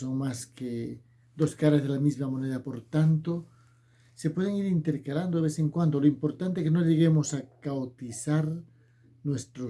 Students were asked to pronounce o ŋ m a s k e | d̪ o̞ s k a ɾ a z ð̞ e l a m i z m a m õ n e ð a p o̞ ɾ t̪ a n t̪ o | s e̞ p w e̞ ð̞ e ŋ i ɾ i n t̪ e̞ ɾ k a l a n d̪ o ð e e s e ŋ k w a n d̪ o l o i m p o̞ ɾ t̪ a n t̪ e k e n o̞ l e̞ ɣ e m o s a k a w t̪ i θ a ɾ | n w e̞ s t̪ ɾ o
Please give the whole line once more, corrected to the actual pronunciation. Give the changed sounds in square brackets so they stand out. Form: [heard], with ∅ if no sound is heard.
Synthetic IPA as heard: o ŋ m a s k e | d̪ o̞ s k a ɾ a z ð̞ e l a m i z m a m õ n e ð a p o̞ ɾ t̪ a n t̪ o | s e̞ p w e̞ ð̞ e ŋ i ɾ i n t̪ e̞ ɾ k a l a n d̪ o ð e e s e ŋ k w a n d̪ o l o i m p o̞ ɾ t̪ a n t̪ e k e n o̞ [ʎ] e̞ ɣ e m o s a k a w t̪ i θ a ɾ | n w e̞ s t̪ ɾ o